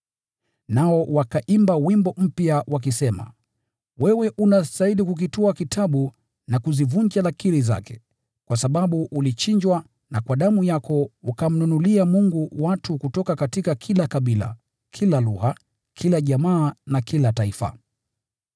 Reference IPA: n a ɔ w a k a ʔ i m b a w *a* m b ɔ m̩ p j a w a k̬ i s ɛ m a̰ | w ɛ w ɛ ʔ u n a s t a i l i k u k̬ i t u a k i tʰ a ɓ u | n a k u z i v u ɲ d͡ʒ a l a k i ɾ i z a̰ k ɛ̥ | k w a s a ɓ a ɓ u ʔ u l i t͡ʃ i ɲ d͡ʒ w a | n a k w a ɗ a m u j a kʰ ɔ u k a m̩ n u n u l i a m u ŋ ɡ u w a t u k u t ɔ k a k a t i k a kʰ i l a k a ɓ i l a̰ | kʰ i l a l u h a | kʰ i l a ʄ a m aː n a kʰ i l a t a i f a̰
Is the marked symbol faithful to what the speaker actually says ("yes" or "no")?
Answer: no